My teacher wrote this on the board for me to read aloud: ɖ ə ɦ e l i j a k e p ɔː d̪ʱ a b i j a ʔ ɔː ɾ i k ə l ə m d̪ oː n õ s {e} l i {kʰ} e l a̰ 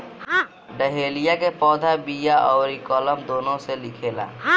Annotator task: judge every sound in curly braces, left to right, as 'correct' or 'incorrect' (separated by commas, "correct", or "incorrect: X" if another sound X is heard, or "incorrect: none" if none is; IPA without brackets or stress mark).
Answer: correct, correct